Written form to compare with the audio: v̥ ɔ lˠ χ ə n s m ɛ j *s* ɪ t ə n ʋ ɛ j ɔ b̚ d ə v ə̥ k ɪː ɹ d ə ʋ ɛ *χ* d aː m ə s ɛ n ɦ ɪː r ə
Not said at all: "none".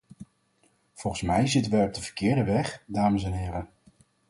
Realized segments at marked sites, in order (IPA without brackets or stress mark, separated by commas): z, χ